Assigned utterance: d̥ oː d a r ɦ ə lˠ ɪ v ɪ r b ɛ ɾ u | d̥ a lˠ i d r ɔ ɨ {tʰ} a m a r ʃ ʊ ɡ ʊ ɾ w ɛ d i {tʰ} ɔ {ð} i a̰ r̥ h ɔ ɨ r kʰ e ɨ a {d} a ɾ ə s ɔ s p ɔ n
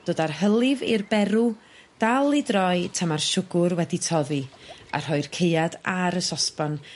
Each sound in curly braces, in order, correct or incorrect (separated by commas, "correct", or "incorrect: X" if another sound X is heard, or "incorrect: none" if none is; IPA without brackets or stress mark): correct, correct, correct, correct